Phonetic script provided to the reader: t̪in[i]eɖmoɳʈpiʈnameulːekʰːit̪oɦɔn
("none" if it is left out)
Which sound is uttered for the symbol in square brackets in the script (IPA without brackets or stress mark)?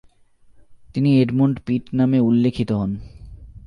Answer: i